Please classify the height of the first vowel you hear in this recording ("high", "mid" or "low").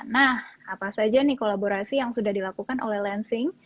low